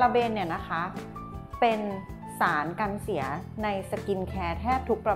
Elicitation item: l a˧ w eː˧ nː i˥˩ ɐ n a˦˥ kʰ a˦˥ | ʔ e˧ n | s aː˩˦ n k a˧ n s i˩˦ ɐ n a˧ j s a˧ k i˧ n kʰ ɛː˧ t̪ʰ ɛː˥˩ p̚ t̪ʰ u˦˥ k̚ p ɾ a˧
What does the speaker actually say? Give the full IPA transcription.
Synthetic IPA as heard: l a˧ b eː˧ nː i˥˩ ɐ n a˦˥ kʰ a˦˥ | p e˧ n | s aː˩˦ n k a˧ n s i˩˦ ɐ n a˧ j s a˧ k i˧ n kʰ ɛː˧ t̪ʰ ɛː˥˩ p̚ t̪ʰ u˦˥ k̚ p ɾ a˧

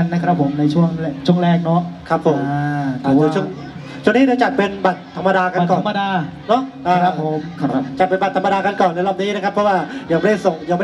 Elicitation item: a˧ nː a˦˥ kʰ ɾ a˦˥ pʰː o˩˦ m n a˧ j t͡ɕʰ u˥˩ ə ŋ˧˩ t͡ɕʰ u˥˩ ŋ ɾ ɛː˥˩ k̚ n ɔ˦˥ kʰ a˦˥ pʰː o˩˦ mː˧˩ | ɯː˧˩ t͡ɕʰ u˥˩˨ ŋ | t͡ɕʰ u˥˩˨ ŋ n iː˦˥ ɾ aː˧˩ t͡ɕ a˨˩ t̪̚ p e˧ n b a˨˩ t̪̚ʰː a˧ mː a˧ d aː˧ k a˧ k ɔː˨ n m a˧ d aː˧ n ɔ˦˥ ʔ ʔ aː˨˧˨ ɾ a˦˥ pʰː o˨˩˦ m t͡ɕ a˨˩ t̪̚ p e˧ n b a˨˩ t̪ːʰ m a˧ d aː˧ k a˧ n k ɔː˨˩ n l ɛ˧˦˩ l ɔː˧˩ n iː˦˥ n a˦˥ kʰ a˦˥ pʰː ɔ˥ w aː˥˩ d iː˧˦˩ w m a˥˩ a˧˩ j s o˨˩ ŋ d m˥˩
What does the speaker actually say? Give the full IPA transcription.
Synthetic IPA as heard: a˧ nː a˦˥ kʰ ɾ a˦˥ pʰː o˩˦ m n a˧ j t͡ɕʰ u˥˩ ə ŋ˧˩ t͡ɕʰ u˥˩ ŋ ɾ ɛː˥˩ k̚ n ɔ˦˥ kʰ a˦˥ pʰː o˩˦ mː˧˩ | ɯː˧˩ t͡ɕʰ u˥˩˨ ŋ | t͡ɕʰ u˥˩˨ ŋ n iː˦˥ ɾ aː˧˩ t͡ɕ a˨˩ t̪̚ p e˧ n b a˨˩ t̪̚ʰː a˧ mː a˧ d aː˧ k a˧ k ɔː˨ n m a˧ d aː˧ n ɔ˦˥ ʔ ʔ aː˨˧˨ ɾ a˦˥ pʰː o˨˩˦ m t͡ɕ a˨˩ t̪̚ p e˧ n b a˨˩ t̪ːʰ m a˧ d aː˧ k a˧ n k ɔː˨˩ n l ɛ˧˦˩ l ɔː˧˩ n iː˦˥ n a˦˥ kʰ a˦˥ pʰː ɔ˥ w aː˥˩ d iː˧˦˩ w m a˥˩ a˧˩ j s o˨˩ ŋ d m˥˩

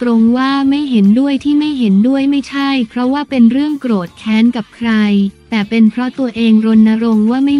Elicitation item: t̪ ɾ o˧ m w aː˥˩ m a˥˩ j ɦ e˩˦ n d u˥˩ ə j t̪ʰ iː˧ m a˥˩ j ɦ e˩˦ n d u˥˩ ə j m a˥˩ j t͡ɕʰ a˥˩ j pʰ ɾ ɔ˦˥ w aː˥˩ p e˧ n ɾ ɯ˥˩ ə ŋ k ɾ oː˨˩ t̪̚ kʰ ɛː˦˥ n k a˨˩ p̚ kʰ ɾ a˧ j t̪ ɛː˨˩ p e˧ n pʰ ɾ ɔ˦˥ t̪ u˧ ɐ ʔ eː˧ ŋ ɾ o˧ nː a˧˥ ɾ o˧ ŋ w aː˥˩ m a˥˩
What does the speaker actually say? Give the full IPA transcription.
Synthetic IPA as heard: t̪ ɾ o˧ ŋ w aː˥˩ m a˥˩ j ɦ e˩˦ n d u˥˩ ə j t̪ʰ iː˥˩ m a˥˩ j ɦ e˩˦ n d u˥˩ ə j m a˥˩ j t͡ɕʰ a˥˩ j pʰ ɾ ɔ˦˥ w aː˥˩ p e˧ n ɾ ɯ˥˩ ə ŋ k ɾ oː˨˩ t̪̚ kʰ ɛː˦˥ n k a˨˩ p̚ kʰ ɾ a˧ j t̪ ɛː˨˩ p e˧ n pʰ ɾ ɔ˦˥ t̪ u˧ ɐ ʔ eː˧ ŋ ɾ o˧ nː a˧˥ ɾ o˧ ŋ w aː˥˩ m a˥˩

